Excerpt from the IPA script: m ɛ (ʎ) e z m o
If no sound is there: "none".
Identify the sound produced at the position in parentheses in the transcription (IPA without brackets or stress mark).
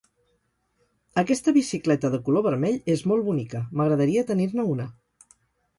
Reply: ʎ